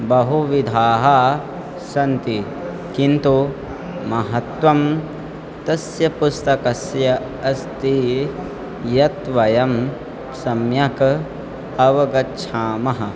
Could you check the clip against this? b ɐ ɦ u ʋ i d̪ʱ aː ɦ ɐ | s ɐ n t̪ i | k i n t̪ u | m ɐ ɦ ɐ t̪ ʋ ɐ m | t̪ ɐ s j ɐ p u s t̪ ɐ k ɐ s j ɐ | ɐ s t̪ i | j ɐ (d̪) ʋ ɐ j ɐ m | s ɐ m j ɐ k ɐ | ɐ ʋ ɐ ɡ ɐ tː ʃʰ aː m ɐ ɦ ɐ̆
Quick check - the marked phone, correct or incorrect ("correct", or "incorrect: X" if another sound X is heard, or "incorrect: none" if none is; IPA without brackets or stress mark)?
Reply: incorrect: t̪